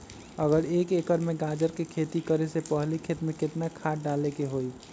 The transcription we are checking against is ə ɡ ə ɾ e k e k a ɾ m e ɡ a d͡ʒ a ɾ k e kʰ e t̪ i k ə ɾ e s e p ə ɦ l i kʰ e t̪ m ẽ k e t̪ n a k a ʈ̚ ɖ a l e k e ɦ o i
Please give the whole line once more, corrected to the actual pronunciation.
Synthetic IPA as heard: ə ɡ ə ɾ e k e k ə ɾ m e ɡ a d͡ʒ ə ɾ k e kʰ e t̪ i k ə ɾ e s e p ə ɦ l i kʰ e t̪ m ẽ k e t̪ n a kʰ a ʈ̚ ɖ a l e k e ɦ o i

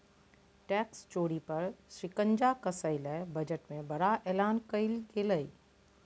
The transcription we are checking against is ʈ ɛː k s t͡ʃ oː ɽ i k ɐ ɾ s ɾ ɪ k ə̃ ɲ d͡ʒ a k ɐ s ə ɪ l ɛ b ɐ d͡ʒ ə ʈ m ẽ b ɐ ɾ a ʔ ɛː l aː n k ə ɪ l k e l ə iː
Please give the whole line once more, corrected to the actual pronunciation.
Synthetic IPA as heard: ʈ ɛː k s t͡ʃ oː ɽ i p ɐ ɾ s ɾ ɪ k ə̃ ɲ d͡ʒ a k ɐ s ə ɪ l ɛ b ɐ d͡ʒ ə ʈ m ẽ b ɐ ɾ a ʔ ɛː l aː n k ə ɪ l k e l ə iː

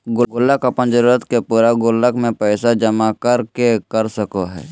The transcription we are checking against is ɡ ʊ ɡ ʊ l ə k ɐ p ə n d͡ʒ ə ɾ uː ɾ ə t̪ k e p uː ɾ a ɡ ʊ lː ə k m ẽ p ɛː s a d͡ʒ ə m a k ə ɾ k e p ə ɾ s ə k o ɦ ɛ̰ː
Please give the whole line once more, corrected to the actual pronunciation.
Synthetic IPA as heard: ɡ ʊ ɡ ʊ l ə k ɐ p ə n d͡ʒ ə ɾ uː ɾ ə t̪ k e p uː ɾ a ɡ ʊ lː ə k m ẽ p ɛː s a d͡ʒ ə m a k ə ɾ k e k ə ɾ s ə k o ɦ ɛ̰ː

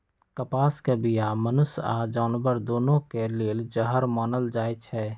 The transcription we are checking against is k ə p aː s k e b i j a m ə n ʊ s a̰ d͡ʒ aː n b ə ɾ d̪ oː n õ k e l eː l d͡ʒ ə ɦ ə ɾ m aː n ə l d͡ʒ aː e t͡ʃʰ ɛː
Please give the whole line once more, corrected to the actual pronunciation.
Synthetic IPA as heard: k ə p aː s k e b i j a m ə n ʊ s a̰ d͡ʒ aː n b ə ɾ d̪ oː n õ k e l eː l d͡ʒ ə ɦ ə ɾ m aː n ə l d͡ʒ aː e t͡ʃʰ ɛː

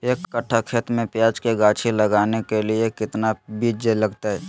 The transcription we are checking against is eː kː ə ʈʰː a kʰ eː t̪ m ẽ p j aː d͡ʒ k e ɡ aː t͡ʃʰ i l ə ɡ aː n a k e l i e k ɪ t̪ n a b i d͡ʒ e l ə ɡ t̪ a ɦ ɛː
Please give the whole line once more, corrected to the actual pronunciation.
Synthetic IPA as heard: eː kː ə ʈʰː a kʰ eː t̪ m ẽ p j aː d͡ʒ k e ɡ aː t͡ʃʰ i l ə ɡ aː n e k e l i e k ɪ t̪ n a b i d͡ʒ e l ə ɡ t̪ a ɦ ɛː

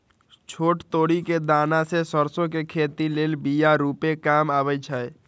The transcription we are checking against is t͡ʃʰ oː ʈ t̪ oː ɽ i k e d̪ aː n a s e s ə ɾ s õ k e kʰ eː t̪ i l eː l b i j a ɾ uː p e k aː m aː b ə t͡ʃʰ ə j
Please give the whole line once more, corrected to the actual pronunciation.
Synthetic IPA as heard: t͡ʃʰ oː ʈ t̪ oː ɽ i k e d̪ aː n a s e s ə ɾ s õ k e kʰ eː t̪ i l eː l b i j a ɾ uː p e k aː m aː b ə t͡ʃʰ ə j

